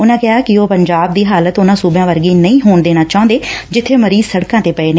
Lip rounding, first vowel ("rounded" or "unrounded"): rounded